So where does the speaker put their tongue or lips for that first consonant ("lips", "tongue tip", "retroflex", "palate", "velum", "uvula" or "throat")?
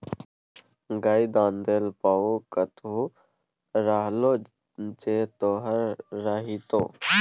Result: velum